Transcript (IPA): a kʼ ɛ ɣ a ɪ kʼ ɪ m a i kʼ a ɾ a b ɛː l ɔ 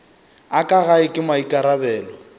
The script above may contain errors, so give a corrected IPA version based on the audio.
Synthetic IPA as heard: a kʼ a ɣ a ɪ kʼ ɪ m a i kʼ a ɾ a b ɛː l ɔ